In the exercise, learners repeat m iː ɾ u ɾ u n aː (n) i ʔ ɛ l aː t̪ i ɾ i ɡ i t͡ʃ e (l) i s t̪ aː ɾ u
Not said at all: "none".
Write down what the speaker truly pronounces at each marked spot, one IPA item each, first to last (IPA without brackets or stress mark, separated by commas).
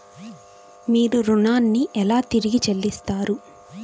nː, lː